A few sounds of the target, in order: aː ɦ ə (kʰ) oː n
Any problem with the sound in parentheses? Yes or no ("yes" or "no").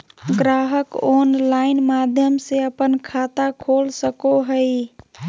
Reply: yes